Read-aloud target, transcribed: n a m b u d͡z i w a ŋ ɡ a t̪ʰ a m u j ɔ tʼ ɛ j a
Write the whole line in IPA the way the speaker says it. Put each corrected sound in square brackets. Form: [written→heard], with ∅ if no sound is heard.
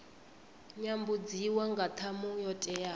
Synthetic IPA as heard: [n→ɲ] a m b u d͡z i w a ŋ ɡ a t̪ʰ a m u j ɔ tʼ ɛ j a

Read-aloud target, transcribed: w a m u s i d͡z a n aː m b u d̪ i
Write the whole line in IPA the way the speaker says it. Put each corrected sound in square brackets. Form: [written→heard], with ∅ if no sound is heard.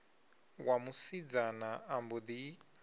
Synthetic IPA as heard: w a m u s i d͡z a n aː m b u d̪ i

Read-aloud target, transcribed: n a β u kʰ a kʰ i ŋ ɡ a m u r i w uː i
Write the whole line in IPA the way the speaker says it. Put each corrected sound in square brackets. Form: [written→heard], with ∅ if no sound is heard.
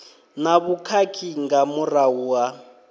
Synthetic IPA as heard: n a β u kʰ a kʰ i ŋ ɡ a m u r [i→a] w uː [i→a]

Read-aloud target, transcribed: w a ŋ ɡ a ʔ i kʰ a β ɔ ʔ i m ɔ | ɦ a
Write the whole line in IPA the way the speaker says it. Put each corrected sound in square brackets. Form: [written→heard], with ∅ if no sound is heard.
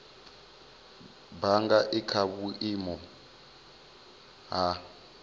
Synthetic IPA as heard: [w→b] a ŋ ɡ a ʔ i kʰ a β [ɔ→u] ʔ i m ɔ | ɦ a

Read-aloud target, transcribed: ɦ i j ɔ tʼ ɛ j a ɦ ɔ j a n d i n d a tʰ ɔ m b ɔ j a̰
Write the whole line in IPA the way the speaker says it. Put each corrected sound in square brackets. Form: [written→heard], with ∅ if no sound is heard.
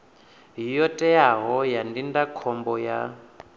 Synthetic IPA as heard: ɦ i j ɔ tʼ ɛ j a ɦ ɔ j a n d i n d a [tʰ→kʰ] ɔ m b ɔ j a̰

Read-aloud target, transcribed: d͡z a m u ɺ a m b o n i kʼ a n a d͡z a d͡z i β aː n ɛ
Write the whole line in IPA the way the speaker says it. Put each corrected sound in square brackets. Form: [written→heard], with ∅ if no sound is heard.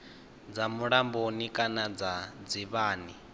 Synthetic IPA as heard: d͡z a m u ɺ a m b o n i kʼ a n a d͡z a d͡z i β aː n [ɛ→i]

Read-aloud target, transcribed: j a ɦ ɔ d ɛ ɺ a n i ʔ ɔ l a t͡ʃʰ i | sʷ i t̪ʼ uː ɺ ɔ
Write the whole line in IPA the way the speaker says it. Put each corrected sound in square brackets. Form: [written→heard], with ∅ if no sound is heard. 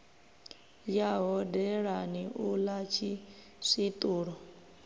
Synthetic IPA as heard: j a ɦ ɔ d ɛ ɺ a n i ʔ [ɔ→u] l a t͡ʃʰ i | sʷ i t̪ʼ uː ɺ ɔ

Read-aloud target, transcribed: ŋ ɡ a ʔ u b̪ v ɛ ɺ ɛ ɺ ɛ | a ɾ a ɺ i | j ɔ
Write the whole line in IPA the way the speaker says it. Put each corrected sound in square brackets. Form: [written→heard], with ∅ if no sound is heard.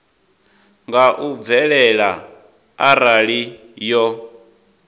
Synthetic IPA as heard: ŋ ɡ a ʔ u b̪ v ɛ ɺ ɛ ɺ [ɛ→a] | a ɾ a ɺ i | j ɔ

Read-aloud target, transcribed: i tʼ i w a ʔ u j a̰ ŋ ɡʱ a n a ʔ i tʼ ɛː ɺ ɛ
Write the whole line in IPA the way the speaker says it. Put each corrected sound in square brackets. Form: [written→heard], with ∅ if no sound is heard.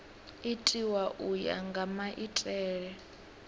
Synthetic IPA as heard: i tʼ i w a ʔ u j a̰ ŋ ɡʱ a [n→m] a ʔ i tʼ ɛː ɺ ɛ

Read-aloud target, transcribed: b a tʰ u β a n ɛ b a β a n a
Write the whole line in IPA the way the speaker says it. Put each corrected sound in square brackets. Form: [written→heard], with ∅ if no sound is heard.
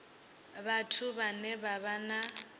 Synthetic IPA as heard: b a tʰ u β a n ɛ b a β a n a

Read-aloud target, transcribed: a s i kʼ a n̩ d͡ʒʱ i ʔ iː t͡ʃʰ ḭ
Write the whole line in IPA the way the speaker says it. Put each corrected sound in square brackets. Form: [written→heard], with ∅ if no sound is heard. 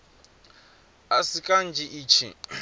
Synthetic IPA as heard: a s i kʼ a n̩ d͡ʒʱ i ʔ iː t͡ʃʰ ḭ

